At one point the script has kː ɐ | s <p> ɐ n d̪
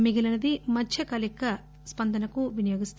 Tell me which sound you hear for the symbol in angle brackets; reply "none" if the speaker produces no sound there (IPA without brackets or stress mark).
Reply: p